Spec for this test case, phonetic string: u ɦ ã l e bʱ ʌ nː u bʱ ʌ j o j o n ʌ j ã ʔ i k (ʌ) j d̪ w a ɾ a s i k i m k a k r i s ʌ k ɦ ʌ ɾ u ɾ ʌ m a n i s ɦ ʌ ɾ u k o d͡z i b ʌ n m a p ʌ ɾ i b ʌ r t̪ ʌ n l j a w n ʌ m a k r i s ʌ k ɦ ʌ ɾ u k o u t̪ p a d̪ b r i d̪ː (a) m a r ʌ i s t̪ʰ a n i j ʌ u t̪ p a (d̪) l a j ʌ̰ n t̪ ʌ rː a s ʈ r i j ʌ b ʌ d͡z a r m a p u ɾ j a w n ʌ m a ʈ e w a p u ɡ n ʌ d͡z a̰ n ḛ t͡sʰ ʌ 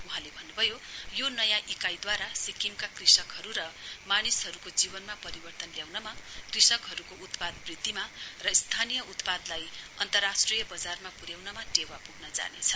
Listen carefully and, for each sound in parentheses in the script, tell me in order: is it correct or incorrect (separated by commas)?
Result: incorrect, incorrect, correct